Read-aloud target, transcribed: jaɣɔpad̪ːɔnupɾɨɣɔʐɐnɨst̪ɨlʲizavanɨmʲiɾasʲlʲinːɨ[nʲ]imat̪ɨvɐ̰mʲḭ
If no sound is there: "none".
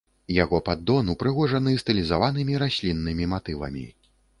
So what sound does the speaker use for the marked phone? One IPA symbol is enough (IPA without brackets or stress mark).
mʲ